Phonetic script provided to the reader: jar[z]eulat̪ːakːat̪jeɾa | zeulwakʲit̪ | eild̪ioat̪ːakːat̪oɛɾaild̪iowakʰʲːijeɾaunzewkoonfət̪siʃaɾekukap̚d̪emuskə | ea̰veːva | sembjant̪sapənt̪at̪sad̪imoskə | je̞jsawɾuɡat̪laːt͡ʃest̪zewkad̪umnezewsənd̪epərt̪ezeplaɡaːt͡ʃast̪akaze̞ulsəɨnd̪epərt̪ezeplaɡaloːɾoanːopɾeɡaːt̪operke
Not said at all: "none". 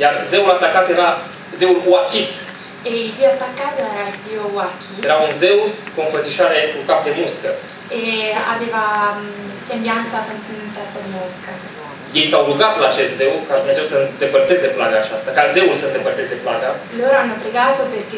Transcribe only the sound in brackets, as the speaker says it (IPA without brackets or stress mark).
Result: z